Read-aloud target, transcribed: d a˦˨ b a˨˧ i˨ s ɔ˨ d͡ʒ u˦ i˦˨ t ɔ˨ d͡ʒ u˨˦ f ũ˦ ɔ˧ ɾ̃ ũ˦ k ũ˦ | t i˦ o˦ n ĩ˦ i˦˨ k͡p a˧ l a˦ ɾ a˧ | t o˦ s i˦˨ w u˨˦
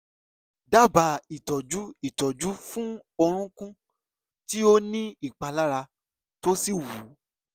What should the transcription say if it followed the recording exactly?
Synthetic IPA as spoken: d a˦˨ b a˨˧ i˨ t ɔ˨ d͡ʒ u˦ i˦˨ t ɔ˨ d͡ʒ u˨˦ f ũ˦ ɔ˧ ɾ̃ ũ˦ k ũ˦ | t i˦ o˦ n ĩ˦ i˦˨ k͡p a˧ l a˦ ɾ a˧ | t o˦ s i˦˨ w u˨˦

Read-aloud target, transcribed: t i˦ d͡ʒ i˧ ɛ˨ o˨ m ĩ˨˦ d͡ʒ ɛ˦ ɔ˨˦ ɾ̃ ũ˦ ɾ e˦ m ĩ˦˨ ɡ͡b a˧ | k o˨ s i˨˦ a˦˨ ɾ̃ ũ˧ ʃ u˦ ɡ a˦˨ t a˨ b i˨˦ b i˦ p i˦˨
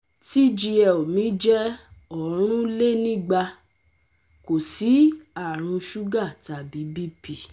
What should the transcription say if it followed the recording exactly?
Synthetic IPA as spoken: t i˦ d͡ʒ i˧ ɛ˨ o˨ m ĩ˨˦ d͡ʒ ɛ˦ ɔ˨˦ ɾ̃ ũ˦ l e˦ n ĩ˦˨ ɡ͡b a˧ | k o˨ s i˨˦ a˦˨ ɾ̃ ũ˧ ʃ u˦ ɡ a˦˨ t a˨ b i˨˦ b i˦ p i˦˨

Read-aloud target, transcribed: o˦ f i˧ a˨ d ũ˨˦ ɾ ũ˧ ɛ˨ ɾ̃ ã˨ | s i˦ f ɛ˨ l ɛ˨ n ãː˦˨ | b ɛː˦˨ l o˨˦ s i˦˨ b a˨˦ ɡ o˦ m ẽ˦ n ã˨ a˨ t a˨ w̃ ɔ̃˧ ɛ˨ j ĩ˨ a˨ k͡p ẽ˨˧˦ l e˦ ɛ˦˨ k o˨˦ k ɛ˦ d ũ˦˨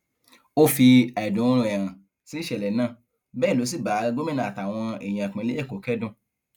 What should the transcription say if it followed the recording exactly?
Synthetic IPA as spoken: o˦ f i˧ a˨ d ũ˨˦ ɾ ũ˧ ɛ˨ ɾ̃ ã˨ | s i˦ ʃ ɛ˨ l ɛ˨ n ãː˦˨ | b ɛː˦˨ l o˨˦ s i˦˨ b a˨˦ ɡ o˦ m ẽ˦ n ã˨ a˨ t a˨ w̃ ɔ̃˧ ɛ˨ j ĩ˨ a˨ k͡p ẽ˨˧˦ l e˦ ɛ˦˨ k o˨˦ k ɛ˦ d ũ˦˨

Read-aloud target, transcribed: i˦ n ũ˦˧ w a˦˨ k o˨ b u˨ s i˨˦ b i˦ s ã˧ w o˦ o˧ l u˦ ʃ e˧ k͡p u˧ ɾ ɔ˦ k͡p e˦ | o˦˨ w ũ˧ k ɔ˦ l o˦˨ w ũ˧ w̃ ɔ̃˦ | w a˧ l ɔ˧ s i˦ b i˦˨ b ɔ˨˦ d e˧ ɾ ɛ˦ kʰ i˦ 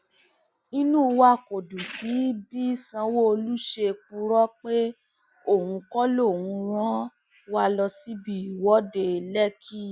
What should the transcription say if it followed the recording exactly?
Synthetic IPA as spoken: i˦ n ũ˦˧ w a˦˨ k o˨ d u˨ s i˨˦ b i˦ s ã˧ w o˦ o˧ l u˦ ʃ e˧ k͡p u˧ ɾ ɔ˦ k͡p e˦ | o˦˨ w ũ˧ k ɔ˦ l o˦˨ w ũ˧ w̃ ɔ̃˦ | w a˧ l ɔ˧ s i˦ b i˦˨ w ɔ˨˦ d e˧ l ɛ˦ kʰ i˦

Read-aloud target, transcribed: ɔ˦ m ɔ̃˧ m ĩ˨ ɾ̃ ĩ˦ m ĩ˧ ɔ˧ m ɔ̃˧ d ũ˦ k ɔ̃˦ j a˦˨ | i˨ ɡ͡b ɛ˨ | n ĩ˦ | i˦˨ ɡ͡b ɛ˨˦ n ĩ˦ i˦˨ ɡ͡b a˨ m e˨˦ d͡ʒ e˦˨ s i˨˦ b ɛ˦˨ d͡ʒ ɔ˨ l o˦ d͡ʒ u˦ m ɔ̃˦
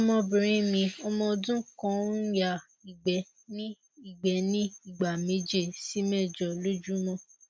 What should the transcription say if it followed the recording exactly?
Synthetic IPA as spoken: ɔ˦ m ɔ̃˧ b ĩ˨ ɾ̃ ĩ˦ m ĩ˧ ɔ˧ m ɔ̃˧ d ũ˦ k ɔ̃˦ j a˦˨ | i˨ ɡ͡b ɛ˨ | n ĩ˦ | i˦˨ ɡ͡b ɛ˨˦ n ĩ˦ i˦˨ ɡ͡b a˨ m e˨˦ d͡ʒ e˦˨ s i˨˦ m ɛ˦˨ d͡ʒ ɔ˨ l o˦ d͡ʒ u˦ m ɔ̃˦

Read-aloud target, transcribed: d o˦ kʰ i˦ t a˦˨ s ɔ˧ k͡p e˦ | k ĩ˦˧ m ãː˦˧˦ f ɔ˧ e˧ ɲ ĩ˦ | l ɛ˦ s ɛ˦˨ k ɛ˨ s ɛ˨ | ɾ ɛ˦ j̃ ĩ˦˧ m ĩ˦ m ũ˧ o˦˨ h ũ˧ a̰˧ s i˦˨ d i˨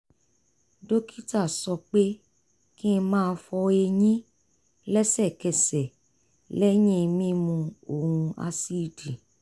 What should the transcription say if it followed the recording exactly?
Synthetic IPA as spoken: d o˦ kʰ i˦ t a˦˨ s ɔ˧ k͡p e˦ | k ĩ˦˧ m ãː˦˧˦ f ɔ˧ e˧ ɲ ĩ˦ | l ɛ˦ s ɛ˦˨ k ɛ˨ s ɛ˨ | l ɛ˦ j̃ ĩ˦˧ m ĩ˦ m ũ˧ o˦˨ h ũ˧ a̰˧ s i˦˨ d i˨

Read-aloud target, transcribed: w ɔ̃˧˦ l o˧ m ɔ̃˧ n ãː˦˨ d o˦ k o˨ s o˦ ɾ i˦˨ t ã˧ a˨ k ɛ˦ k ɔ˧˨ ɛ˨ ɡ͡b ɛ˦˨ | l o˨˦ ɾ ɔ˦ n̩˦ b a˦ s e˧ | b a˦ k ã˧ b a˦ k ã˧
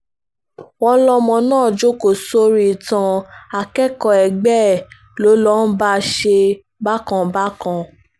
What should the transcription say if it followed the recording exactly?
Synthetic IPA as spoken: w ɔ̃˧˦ l ɔ˧ m ɔ̃˧ n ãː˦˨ d͡ʒ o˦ k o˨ s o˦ ɾ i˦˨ t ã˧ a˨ k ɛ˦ k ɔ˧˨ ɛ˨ ɡ͡b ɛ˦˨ | l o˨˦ l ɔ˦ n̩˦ b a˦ ʃ e˧ | b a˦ k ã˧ b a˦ k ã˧

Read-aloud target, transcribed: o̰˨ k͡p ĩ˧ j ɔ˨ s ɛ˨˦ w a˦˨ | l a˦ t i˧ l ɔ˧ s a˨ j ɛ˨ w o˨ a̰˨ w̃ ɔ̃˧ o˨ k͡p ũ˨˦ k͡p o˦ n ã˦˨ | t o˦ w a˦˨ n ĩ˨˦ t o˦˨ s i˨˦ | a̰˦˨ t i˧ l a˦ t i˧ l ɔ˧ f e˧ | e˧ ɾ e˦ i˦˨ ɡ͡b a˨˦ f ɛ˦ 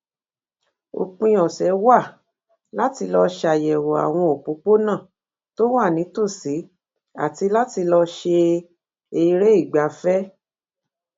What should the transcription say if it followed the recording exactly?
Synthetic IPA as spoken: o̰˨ k͡p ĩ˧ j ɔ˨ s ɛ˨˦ w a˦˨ | l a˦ t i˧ l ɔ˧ ʃ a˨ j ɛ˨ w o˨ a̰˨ w̃ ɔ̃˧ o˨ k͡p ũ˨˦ k͡p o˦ n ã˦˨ | t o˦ w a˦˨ n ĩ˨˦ t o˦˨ s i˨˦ | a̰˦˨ t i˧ l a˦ t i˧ l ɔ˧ ʃ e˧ | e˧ ɾ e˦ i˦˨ ɡ͡b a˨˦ f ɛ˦

